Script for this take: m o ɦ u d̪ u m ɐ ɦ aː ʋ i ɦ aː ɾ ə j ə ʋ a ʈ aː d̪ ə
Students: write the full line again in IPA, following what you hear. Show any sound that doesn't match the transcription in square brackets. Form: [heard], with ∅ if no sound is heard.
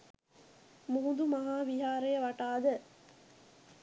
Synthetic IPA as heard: m [u] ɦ u d̪ u m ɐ ɦ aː ʋ i ɦ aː ɾ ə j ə ʋ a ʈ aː d̪ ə